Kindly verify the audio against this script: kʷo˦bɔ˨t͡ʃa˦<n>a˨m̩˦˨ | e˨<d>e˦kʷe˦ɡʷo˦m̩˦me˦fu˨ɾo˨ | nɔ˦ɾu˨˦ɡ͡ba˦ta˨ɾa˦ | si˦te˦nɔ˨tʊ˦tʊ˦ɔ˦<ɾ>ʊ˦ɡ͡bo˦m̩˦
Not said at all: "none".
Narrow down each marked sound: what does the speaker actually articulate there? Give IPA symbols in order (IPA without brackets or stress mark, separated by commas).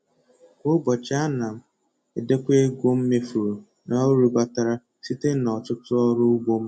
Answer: n, d, ɾ